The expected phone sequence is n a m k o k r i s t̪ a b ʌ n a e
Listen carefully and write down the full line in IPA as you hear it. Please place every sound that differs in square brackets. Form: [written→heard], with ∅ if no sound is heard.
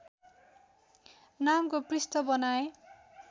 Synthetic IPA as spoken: n a m k o [k→p] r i s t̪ [a→ʌ] b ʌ n a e